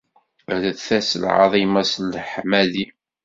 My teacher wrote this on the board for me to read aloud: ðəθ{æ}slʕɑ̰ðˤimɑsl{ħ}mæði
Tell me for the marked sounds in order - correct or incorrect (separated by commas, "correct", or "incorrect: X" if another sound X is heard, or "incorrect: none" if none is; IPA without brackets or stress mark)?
correct, correct